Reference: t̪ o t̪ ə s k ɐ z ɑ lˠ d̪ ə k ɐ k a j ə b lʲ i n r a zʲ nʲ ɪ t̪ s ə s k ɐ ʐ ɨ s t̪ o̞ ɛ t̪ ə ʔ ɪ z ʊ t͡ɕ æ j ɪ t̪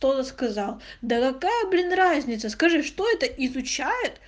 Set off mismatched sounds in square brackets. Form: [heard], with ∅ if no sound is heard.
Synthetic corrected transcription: t̪ o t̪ ə s k ɐ z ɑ lˠ d̪ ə k ɐ k a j ə b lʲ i n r a zʲ nʲ ɪ t̪ s ə s k ɐ ʐ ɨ [ʂ] t̪ o̞ ɛ t̪ ə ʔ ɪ z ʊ t͡ɕ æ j ɪ t̪